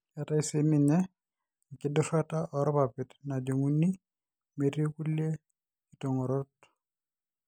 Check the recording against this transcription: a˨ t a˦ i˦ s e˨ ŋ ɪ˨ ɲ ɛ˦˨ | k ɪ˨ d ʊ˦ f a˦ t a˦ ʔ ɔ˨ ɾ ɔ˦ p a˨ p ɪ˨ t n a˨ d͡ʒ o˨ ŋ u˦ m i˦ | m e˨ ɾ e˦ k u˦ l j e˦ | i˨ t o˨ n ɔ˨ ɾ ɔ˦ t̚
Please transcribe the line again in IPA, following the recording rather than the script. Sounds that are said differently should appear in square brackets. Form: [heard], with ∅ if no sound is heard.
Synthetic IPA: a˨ t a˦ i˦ s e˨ [m] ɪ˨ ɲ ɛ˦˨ | k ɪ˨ d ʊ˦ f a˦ t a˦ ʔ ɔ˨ ɾ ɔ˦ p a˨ p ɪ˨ t n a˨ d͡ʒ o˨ ŋ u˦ [n] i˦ | m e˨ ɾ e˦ k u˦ l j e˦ | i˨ t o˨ [ŋ] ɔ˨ ɾ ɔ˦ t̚